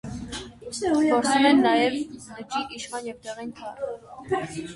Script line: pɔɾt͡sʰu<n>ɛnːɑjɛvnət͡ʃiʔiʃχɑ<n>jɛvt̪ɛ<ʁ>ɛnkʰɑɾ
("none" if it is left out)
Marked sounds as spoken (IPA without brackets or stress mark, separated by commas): m, n, ʁ